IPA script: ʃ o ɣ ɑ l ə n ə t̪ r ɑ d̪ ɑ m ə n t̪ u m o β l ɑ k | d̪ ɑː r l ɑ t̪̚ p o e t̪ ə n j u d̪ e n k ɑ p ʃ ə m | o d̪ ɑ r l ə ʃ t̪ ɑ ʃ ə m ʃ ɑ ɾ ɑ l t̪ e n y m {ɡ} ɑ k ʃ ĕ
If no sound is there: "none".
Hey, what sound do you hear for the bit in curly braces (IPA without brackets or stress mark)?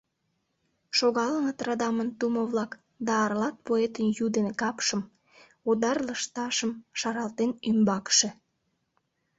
b